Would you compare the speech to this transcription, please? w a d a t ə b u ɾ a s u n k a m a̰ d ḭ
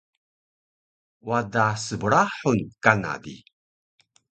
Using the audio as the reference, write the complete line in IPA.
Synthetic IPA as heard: w a d a s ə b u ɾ a ħ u n k a n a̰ d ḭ